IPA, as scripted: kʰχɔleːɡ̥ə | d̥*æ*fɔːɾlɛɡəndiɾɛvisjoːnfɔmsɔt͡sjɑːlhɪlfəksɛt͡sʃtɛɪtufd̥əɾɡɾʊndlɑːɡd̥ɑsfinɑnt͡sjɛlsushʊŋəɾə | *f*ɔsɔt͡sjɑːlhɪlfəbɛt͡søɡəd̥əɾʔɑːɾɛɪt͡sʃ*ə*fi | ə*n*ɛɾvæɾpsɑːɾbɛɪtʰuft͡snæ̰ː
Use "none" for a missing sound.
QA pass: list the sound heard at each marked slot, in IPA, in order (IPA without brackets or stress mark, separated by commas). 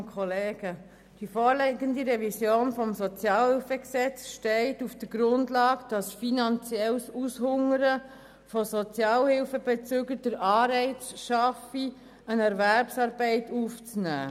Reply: i, f, ɑ, n